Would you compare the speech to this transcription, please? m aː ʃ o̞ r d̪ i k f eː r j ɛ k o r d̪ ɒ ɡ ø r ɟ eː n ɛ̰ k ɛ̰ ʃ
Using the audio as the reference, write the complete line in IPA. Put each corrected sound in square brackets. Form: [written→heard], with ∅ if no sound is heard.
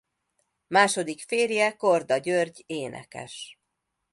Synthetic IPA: m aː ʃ o̞ [r→∅] d̪ i k f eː r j ɛ k o r d̪ ɒ [ɡ→ɟ] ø r ɟ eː n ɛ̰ k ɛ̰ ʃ